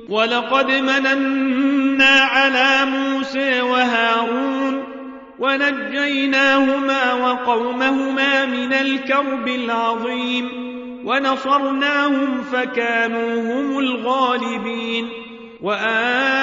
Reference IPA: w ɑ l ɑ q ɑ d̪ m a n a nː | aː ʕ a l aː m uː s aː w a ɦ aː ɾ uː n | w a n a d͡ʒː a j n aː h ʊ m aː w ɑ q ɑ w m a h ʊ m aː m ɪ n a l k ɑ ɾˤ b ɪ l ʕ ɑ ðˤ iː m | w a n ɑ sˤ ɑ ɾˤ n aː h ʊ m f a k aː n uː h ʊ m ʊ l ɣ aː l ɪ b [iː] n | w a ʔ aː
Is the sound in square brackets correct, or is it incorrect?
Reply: correct